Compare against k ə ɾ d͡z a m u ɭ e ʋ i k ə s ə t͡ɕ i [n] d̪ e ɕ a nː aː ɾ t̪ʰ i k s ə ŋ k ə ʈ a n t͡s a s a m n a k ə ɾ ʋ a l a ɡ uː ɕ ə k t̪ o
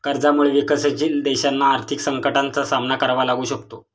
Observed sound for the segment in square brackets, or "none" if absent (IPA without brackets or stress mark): n